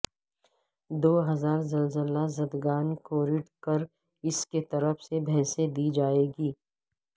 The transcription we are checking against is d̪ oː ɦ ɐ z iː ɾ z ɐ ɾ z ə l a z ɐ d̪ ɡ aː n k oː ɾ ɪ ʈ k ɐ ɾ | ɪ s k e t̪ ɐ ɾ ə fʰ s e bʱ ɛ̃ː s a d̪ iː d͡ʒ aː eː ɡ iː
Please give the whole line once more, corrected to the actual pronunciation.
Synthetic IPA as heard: d̪ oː ɦ ɐ z aː ɾ z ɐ l z ə l a z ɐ d̪ ɡ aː n k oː ɾ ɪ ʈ k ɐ ɾ | ɪ s k e t̪ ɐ ɾ ə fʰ s e bʱ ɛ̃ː s e d̪ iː d͡ʒ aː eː ɡ iː